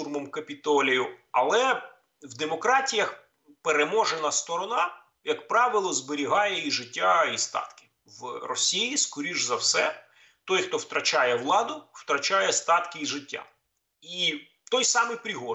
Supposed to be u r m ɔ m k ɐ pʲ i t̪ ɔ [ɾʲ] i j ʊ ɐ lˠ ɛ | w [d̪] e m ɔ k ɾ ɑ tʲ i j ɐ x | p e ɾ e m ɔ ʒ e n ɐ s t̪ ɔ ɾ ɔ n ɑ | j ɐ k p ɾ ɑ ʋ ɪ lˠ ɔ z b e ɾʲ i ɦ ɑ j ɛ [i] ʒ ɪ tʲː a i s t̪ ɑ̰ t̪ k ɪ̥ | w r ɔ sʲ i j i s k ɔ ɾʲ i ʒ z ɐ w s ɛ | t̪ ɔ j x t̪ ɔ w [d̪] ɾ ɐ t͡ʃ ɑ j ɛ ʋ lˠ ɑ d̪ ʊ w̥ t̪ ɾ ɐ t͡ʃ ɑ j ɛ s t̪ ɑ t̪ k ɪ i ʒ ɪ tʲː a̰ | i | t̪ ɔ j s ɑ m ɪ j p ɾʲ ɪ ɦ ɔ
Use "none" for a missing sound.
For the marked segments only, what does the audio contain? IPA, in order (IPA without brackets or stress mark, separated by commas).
lʲ, d̪, i, t̪